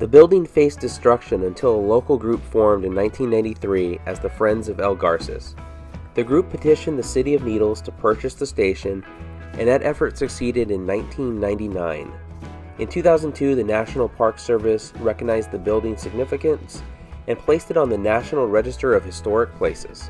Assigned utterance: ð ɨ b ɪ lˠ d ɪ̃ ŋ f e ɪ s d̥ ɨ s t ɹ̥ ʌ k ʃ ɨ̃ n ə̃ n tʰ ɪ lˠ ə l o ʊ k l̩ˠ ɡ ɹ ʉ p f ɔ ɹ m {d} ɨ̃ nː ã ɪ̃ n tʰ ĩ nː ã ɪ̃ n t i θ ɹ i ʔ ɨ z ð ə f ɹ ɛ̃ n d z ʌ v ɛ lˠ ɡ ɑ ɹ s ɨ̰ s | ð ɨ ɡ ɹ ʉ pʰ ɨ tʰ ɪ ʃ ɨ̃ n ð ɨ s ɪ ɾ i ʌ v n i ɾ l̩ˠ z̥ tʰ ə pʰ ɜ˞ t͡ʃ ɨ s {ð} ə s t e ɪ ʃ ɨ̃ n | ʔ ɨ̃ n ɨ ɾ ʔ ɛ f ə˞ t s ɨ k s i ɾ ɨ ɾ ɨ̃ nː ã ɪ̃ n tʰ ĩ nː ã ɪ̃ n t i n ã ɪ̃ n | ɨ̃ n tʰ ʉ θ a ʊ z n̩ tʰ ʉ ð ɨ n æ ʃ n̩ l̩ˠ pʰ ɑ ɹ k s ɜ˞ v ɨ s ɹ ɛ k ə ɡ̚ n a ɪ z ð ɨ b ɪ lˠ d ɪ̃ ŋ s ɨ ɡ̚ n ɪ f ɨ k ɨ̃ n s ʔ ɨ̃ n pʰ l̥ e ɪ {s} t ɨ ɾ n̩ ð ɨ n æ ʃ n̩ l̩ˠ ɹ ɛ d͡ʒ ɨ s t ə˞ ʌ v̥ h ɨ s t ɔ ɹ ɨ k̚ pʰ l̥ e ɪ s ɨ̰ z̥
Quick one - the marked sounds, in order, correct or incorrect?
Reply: correct, correct, correct

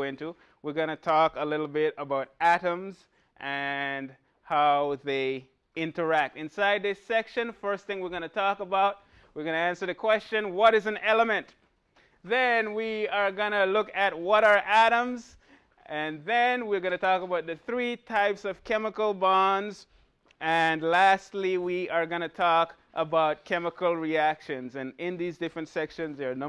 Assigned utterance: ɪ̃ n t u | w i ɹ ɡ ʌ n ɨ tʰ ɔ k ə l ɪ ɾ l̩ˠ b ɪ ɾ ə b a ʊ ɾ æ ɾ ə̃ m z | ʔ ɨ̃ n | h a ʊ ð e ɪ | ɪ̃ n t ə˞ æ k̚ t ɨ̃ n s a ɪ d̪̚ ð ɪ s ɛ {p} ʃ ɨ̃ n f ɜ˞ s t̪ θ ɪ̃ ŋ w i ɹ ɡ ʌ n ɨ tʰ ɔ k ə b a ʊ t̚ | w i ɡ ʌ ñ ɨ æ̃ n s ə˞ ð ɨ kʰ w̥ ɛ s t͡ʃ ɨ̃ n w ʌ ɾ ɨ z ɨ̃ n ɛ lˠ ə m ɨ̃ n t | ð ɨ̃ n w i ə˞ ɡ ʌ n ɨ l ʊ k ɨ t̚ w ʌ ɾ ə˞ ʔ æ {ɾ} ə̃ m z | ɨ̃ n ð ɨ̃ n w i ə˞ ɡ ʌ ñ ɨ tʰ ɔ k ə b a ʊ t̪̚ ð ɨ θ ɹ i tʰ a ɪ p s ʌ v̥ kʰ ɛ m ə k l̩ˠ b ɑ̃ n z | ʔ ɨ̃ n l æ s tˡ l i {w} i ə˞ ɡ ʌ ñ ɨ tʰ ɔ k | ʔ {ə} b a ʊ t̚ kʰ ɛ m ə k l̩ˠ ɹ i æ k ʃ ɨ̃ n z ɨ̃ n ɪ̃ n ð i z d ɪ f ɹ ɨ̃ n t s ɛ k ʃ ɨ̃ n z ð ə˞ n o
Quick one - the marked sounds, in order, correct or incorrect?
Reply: incorrect, correct, correct, correct

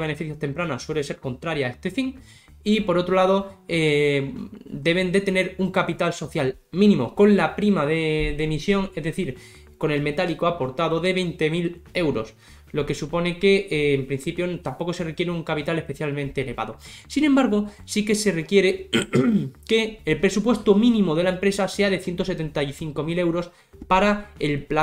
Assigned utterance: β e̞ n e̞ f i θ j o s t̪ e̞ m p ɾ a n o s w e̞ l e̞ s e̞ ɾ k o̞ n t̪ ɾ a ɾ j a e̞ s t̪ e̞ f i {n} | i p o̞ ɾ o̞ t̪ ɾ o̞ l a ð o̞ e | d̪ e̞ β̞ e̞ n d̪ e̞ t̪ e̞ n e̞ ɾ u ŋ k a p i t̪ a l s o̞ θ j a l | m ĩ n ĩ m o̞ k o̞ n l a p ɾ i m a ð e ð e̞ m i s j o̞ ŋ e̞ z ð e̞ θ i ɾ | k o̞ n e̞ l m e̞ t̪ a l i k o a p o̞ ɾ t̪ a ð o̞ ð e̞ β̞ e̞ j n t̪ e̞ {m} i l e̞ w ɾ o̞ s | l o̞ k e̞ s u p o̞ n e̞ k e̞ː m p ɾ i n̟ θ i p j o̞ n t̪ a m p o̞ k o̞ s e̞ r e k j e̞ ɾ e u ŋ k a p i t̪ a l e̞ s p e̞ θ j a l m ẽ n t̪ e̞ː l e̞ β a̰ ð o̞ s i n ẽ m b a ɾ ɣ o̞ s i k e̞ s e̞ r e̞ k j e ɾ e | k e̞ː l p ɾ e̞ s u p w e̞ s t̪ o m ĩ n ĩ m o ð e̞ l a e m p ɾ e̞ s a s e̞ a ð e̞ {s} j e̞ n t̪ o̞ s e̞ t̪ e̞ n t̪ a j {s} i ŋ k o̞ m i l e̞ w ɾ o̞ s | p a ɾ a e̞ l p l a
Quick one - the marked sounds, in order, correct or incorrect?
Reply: incorrect, correct, incorrect, incorrect

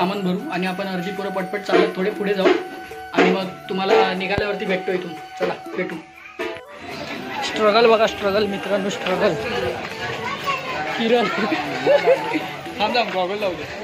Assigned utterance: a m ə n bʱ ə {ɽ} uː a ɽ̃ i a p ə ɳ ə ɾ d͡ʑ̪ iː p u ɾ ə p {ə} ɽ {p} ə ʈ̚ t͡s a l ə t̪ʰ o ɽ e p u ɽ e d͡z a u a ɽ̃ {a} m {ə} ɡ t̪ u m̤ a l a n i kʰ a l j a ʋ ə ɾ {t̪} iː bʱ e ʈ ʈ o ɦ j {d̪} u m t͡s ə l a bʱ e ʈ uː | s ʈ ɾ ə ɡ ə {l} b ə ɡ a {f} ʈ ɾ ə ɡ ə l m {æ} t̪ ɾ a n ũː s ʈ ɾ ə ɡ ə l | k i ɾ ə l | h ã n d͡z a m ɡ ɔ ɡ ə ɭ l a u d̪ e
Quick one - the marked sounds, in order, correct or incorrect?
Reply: incorrect, correct, correct, incorrect, correct, correct, incorrect, correct, incorrect, incorrect

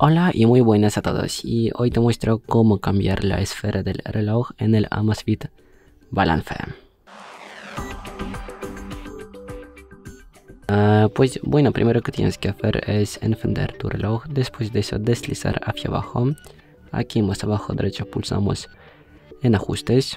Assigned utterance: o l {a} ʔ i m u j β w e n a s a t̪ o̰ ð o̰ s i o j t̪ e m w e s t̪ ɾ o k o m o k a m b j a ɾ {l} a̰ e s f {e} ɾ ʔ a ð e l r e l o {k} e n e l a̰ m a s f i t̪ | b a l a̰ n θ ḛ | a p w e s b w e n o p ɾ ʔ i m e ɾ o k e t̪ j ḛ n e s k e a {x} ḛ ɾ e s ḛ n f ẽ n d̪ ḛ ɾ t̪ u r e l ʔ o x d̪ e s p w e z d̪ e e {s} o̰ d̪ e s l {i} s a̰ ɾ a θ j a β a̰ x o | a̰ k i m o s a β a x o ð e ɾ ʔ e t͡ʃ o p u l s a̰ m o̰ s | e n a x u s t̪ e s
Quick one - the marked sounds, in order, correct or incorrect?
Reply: correct, correct, correct, incorrect, incorrect, correct, correct

